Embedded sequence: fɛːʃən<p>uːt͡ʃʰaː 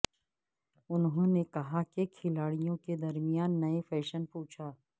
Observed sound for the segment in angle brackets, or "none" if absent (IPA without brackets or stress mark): p